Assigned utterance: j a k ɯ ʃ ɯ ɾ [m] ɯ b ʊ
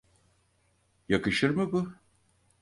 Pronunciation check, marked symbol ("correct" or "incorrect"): correct